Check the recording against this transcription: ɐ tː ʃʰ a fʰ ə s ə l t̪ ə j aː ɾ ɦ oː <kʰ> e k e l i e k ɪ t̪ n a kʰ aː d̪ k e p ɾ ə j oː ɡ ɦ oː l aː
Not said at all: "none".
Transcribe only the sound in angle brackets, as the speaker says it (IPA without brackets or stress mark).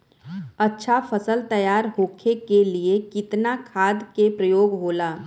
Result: kʰ